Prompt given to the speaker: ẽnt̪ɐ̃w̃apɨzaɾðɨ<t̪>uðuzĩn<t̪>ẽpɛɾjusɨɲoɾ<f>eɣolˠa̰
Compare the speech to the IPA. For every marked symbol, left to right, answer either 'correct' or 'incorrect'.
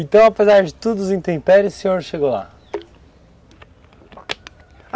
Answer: correct, correct, incorrect: ʃ

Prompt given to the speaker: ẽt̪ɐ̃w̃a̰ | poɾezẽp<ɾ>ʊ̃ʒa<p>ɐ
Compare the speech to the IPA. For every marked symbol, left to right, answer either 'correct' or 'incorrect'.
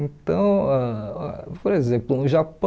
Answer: incorrect: l, correct

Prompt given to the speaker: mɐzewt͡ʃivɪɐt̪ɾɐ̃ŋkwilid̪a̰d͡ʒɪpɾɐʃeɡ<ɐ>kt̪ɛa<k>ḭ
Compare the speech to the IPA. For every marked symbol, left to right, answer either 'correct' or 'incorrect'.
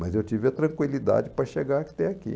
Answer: incorrect: a, correct

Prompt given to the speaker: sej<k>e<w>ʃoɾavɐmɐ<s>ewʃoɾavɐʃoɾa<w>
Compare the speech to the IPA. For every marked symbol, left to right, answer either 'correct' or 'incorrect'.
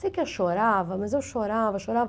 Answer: correct, correct, incorrect: z, incorrect: v

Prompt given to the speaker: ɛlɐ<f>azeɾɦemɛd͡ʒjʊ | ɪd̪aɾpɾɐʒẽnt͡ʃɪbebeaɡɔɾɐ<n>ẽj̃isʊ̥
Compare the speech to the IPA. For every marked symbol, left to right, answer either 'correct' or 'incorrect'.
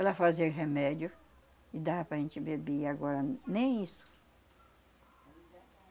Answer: correct, correct

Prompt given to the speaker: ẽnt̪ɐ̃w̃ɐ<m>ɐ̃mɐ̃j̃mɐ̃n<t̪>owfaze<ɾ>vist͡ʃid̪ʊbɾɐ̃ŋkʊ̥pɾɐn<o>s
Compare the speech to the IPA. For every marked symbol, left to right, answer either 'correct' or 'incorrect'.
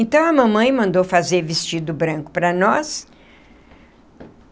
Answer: correct, incorrect: d̪, correct, incorrect: ɔ

